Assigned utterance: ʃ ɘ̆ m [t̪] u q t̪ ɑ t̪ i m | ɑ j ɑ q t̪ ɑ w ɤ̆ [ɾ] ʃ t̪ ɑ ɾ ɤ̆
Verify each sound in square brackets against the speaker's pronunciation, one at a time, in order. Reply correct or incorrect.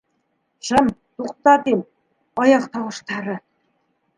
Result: correct, incorrect: none

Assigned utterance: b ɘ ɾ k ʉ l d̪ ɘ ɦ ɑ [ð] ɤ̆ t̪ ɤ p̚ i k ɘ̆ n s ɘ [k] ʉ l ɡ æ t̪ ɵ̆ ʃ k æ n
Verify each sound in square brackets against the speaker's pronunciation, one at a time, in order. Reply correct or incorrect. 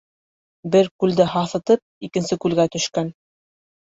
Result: incorrect: θ, correct

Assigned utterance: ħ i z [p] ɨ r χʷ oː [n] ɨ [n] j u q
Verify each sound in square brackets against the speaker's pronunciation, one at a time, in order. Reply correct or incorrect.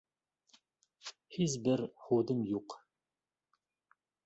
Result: incorrect: b, incorrect: d, incorrect: m

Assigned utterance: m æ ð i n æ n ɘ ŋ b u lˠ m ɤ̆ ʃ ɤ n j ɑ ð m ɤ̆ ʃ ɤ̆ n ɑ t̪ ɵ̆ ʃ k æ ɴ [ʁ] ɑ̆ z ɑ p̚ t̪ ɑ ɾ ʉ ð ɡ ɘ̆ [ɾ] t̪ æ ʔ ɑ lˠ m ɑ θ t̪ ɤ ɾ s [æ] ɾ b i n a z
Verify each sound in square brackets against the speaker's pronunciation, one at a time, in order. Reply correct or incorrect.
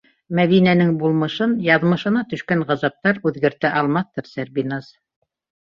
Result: correct, correct, correct

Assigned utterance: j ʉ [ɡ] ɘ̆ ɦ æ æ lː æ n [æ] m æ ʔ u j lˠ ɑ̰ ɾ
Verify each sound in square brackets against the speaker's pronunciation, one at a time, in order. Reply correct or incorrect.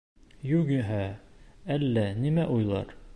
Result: correct, incorrect: i

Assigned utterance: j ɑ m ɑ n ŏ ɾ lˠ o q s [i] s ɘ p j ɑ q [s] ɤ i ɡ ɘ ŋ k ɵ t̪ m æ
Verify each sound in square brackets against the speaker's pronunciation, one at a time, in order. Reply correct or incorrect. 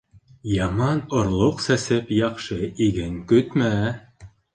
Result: incorrect: æ, incorrect: ʃ

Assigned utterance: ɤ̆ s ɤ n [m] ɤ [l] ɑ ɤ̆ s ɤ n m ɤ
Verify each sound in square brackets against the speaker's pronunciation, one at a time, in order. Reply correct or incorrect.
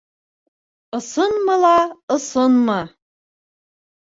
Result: correct, correct

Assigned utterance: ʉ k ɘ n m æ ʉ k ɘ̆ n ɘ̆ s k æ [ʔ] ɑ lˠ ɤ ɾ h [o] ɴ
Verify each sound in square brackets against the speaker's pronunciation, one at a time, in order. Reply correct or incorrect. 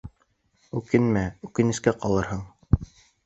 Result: incorrect: q, incorrect: ɤ

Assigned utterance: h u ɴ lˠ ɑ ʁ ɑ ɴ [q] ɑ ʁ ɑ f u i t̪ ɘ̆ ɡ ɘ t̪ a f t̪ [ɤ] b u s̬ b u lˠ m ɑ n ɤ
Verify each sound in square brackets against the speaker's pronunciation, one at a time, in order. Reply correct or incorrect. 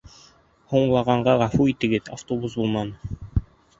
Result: incorrect: ɢ, incorrect: o

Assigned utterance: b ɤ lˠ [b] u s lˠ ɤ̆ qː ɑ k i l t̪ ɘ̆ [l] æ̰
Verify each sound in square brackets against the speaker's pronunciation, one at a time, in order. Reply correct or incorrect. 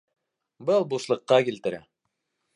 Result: correct, incorrect: ɾ

